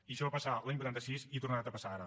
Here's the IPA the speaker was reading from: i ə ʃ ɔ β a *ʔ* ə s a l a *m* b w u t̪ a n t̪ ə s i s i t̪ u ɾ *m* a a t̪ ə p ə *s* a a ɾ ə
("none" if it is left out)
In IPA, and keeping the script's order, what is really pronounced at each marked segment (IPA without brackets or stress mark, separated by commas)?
p, ɲ, n, s